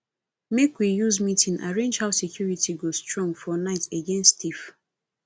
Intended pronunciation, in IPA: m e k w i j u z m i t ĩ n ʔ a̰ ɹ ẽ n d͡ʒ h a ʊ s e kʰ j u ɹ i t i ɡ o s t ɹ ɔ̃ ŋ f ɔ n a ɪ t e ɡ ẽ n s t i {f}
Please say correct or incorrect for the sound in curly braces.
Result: correct